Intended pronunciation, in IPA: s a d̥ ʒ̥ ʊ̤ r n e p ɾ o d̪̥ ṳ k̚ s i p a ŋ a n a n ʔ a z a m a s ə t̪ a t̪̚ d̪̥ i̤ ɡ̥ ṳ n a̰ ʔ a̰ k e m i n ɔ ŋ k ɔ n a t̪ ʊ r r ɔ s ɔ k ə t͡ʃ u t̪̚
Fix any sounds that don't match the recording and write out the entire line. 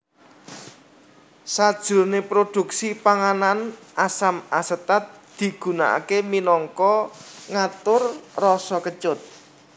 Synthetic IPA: s a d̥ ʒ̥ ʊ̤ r n e p ɾ o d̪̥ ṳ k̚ s i p a ŋ a n a n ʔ a s a m a s ə t̪ a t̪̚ d̪̥ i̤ ɡ̥ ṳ n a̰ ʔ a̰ k e m i n ɔ ŋ k ɔ ŋ a t̪ ʊ r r ɔ s ɔ k ə t͡ʃ ʊ t̪̚